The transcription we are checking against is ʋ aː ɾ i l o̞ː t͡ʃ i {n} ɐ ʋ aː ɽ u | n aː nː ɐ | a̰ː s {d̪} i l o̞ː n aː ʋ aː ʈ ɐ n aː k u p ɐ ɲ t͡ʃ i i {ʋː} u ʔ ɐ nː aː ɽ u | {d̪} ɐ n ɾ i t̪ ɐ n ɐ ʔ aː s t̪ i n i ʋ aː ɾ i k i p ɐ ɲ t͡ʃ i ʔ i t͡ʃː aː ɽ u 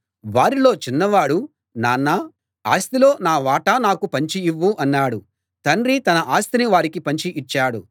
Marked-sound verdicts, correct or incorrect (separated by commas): incorrect, incorrect, correct, incorrect